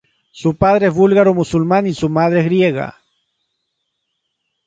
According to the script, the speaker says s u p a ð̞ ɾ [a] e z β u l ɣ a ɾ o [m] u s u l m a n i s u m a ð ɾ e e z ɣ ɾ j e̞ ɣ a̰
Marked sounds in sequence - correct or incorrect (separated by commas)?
incorrect, correct